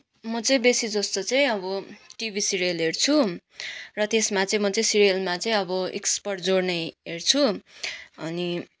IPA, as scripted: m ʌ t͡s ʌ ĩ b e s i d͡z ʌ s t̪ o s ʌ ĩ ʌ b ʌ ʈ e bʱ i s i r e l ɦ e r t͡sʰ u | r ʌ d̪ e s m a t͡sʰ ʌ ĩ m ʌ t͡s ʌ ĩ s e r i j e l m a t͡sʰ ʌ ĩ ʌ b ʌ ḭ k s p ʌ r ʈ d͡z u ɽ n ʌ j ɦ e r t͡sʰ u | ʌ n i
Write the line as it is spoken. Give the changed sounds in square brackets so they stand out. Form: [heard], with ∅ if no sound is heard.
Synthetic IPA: m ʌ t͡s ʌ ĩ b e s i d͡z ʌ s t̪ o [t͡s] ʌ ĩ ʌ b ʌ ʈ [i] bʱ i s i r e l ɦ e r t͡sʰ u | r ʌ [t̪] e s m a [t͡s] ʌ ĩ m ʌ t͡s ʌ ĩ s [i] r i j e l m a [t͡s] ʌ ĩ ʌ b ʌ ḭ k s p ʌ r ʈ d͡z [o] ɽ n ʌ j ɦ e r t͡sʰ u | ʌ n i